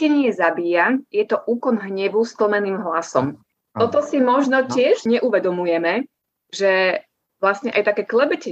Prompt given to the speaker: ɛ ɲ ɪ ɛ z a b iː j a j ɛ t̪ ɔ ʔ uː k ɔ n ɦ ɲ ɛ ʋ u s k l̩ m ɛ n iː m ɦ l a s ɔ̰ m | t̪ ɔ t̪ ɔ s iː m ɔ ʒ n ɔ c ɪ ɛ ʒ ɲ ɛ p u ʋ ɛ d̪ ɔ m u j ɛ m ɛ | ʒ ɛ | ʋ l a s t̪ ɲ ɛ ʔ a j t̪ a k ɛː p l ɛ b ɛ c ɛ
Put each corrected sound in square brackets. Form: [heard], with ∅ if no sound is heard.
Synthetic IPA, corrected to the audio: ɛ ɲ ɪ ɛ z a b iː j a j ɛ t̪ ɔ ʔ uː k ɔ n ɦ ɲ ɛ ʋ u s k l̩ m ɛ n iː m ɦ l a s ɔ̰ m | t̪ ɔ t̪ ɔ s [i] m ɔ ʒ n ɔ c ɪ ɛ ʒ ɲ ɛ [ʔ] u ʋ ɛ d̪ ɔ m u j ɛ m ɛ | ʒ ɛ | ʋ l a s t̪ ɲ ɛ ʔ a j t̪ a k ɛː [k] l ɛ b ɛ c ɛ